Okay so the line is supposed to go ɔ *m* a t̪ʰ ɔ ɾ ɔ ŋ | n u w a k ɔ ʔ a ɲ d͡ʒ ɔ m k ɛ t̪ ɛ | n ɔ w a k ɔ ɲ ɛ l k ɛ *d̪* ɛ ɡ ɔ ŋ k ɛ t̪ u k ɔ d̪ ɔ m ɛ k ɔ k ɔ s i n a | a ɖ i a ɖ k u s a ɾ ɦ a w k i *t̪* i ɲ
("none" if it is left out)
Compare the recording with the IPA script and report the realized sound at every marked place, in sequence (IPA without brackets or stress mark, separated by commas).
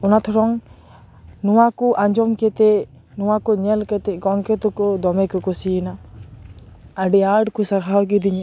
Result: n, t̪, d̪